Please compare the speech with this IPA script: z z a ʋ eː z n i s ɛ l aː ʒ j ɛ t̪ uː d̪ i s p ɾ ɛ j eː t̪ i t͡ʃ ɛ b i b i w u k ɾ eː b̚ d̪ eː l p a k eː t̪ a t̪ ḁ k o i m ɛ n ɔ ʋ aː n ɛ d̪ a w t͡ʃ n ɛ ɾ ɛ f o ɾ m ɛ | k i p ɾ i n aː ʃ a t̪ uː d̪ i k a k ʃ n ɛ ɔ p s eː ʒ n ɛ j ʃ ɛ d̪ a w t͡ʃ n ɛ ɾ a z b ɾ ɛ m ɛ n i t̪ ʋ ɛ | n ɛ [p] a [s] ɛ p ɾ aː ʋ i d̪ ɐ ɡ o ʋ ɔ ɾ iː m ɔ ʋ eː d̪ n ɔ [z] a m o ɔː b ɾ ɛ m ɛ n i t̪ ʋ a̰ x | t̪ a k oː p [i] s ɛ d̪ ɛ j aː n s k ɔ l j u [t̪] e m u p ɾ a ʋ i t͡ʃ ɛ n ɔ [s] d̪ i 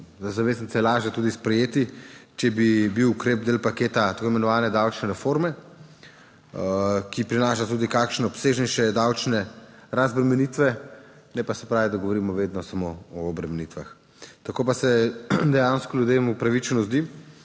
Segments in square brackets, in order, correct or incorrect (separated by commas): correct, correct, incorrect, incorrect, incorrect, incorrect